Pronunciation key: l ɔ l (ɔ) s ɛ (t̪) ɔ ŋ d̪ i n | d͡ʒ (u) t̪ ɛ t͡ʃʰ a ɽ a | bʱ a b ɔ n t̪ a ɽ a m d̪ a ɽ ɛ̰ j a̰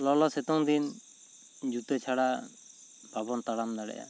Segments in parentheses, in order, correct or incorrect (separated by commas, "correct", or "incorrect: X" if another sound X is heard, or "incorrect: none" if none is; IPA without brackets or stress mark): correct, correct, correct